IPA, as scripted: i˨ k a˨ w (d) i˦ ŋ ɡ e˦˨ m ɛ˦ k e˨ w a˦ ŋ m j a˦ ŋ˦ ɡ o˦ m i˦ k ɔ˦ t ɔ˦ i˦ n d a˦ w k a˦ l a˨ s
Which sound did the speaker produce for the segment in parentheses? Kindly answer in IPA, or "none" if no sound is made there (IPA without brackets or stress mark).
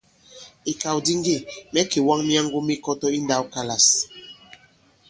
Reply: d